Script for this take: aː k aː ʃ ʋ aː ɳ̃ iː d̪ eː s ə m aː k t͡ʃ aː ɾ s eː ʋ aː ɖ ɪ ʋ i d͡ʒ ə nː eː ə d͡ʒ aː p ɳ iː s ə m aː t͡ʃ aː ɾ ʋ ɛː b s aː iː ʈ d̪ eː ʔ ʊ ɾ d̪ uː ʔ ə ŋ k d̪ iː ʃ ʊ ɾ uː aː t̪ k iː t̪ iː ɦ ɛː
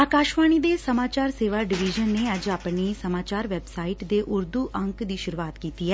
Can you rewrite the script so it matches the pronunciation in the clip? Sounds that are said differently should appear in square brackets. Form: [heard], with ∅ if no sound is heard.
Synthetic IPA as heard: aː k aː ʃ ʋ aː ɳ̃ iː d̪ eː s ə m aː [∅] t͡ʃ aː ɾ s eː ʋ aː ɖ ɪ ʋ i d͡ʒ ə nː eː ə d͡ʒ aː p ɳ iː s ə m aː t͡ʃ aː ɾ ʋ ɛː b s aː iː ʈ d̪ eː ʔ ʊ ɾ d̪ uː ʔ ə ŋ k d̪ iː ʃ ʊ ɾ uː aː t̪ k iː t̪ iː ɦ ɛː